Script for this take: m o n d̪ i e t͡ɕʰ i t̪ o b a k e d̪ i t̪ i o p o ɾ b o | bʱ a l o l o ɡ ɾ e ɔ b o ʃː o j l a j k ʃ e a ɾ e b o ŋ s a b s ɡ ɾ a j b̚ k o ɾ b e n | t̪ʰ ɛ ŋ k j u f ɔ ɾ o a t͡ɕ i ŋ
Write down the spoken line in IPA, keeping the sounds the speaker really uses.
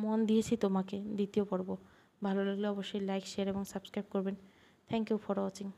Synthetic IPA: m o n d̪ i e t͡ɕʰ i t̪ o m a k e d̪ i t̪ i o p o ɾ b o | bʱ a l o l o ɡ l e ɔ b o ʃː o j l a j k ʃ e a ɾ e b o ŋ s a b s k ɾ a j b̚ k o ɾ b e n | t̪ʰ ɛ ŋ k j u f ɔ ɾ o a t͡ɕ i ŋ